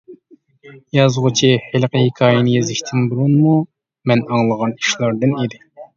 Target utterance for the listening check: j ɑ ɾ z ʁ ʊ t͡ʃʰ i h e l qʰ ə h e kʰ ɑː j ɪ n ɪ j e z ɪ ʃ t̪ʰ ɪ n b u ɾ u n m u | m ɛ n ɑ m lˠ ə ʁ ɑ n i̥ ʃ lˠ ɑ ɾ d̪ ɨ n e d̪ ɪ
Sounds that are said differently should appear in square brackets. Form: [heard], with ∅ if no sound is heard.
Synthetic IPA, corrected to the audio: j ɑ [∅] z ʁ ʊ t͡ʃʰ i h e l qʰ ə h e kʰ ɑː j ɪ n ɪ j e z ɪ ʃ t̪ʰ ɪ n b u ɾ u n m u | m ɛ n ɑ [ŋ] lˠ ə ʁ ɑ n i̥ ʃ lˠ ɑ ɾ d̪ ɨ n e d̪ ɪ